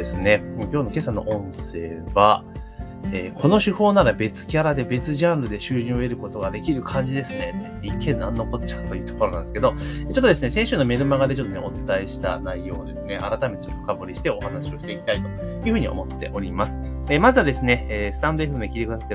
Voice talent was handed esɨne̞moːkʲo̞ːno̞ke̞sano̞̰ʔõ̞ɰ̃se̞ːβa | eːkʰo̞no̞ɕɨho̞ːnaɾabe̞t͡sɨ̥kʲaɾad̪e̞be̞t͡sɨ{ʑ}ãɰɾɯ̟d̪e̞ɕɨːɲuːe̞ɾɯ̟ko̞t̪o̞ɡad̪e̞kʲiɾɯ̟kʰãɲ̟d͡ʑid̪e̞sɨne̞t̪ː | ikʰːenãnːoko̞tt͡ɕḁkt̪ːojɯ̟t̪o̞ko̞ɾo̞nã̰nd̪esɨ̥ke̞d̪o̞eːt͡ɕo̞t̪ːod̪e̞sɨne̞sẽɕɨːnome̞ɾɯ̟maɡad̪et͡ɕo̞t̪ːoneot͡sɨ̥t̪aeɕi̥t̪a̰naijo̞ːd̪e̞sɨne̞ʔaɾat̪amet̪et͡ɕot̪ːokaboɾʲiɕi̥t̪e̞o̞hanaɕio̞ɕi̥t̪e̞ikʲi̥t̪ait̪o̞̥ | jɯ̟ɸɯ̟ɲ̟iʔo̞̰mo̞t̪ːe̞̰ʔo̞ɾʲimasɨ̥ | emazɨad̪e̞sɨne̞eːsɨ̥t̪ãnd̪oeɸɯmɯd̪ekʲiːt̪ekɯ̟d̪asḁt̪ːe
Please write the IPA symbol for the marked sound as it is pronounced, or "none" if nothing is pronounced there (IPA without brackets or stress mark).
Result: ʑ